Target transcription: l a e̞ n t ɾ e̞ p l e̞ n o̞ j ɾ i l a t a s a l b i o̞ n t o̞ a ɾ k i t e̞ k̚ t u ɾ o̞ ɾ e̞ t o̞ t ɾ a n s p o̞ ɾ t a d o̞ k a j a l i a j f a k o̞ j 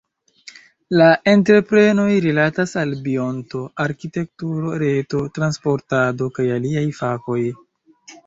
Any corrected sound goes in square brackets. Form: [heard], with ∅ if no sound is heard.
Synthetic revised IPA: l a e̞ n t ɾ e̞ p [ɾ] e̞ n o̞ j ɾ i l a t a s a l b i o̞ n t o̞ a ɾ k i t e̞ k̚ t u ɾ o̞ ɾ e̞ t o̞ t ɾ a n s p o̞ ɾ t a d o̞ k a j a l i a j f a k o̞ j

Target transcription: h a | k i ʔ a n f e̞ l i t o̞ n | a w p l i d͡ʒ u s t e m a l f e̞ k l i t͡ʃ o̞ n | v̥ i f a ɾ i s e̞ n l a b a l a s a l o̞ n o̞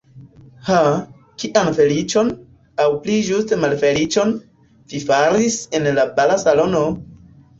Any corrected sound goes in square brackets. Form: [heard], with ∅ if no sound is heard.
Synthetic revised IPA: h a | k i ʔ a n f e̞ l i [t͡ʃ] o̞ n | a w p l i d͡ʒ u s t e m a l f e̞ [∅] l i t͡ʃ o̞ n | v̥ i f a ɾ i s e̞ n l a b a l a s a l o̞ n o̞

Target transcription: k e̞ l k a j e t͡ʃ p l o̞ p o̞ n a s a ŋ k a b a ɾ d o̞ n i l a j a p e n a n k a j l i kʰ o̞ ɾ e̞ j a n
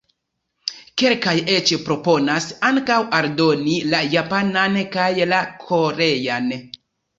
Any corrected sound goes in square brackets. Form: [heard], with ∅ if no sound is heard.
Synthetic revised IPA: k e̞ l k a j e t͡ʃ p [ɾ] o̞ p o̞ n a s a ŋ k a [w] a ɾ d o̞ n i l a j a p [a] n a n k a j l [a] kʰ o̞ ɾ e̞ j a n

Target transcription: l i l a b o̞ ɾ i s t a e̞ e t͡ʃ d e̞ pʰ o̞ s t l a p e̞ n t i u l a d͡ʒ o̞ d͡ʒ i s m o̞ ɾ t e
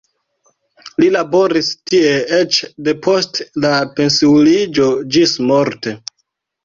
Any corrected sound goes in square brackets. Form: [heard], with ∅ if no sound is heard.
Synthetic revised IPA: l i l a b o̞ ɾ i s t [i] e̞ e t͡ʃ d e̞ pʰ o̞ s t l a p e̞ n [s] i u l [i] d͡ʒ o̞ d͡ʒ i s m o̞ ɾ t e

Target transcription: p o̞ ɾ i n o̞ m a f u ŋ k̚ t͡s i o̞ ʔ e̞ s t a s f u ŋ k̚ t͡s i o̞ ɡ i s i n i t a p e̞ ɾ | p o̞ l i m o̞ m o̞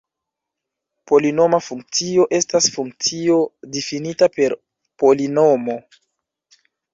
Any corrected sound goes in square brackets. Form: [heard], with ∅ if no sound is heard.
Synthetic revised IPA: p o̞ [l] i n o̞ m a f u ŋ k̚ t͡s i o̞ ʔ e̞ s t a s f u ŋ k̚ t͡s i o̞ [d] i [f] i n i t a p e̞ ɾ | p o̞ l i [n] o̞ m o̞

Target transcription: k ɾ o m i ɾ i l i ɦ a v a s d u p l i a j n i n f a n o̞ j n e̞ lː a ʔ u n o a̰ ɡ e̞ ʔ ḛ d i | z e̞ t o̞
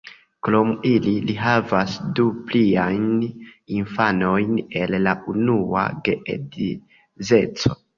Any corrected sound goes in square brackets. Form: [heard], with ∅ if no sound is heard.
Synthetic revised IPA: k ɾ o m i [l] i l i ɦ a v a s d u p l i a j n i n f a n o̞ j n e̞ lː a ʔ u n [u] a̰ ɡ e̞ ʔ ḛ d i | z e̞ [t͡s] o̞

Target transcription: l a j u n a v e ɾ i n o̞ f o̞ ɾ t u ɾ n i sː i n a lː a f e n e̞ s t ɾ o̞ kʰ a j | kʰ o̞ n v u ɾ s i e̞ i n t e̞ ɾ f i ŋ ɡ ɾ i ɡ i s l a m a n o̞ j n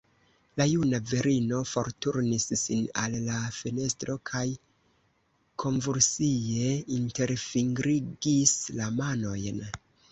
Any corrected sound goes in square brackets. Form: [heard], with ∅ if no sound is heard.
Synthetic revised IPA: l a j u n a v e ɾ i n o̞ f o̞ ɾ t u ɾ n i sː i n a lː a f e n e̞ s t ɾ o̞ kʰ a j | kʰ o̞ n v u ɾ s i e̞ i n t e̞ ɾ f i ŋ ɡ ɾ i ɡ i s l a m a n o̞ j n

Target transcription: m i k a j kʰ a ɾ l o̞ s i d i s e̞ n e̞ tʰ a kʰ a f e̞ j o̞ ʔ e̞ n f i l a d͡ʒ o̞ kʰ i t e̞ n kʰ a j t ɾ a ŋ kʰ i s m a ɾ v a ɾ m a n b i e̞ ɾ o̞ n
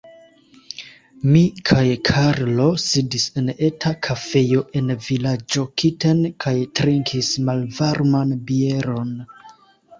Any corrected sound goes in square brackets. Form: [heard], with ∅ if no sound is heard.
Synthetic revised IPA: m i [kʰ] a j kʰ a ɾ l o̞ s i d i s e̞ n e̞ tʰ a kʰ a f e̞ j o̞ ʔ e̞ n [v] i l a d͡ʒ o̞ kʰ i t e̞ n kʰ a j t ɾ [i] ŋ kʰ i s m a [l] v a ɾ m a n b i e̞ ɾ o̞ n

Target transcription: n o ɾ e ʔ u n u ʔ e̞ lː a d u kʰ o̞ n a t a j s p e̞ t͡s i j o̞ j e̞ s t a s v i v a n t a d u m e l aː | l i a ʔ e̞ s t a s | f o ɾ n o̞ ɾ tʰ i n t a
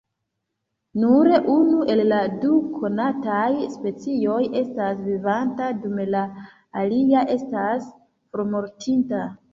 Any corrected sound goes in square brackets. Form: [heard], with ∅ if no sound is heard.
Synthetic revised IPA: n [u] ɾ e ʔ u n u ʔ e̞ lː a d u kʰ o̞ n a t a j s p e̞ t͡s i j o̞ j e̞ s t a s v i v a n t a d u m e l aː | l i a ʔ e̞ s t a s | f o ɾ [m] o̞ ɾ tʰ i n t a

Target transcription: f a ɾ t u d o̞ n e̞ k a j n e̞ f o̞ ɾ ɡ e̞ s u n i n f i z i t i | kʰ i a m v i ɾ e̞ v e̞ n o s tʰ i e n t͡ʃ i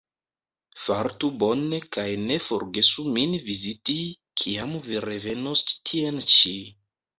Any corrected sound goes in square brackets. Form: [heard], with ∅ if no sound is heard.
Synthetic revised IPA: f a ɾ t u [b] o̞ n e̞ k a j n e̞ f o̞ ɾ ɡ e̞ s u [m] i n [v] i z i t i | kʰ i a m v i ɾ e̞ v e̞ n o s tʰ i e n t͡ʃ i

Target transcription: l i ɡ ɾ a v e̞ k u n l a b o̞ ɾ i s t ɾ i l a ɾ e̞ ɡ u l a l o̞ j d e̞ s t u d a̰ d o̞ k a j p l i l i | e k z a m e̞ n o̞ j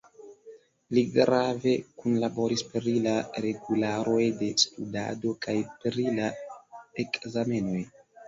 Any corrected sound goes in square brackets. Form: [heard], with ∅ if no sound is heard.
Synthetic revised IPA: l i ɡ ɾ a v e̞ k u n l a b o̞ ɾ i s [p] ɾ i l a ɾ e̞ ɡ u l a [ɾ] o̞ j d e̞ s t u d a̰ d o̞ k a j p [ɾ] i l [a] | e k z a m e̞ n o̞ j

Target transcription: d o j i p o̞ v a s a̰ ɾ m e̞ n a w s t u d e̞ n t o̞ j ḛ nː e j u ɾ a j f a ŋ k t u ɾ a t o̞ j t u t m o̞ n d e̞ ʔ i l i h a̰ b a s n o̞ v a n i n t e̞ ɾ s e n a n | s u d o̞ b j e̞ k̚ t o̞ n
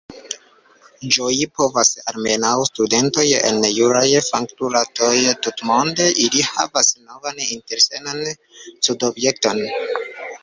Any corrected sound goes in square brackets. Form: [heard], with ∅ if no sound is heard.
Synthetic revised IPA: [d͡ʒ] o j i p o̞ v a s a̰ ɾ m e̞ n a w s t u d e̞ n t o̞ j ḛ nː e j u ɾ a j f a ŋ k t u ɾ a t o̞ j t u t m o̞ n d e̞ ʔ i l i h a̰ [v] a s n o̞ v a n i n t e̞ ɾ s e n a n | s u d o̞ b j e̞ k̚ t o̞ n

